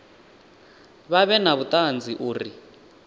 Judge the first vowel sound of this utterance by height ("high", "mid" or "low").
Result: low